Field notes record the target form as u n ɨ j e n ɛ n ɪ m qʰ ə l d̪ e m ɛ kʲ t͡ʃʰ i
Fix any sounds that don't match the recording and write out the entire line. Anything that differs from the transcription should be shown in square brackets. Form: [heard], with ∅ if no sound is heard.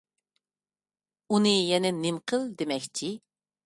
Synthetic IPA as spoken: u n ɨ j [ɛ] n ɛ n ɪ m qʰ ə l d̪ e m ɛ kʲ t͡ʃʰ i